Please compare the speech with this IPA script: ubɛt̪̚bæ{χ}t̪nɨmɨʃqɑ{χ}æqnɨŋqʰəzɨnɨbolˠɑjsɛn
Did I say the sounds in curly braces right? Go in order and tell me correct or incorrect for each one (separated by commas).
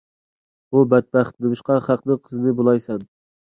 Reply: correct, correct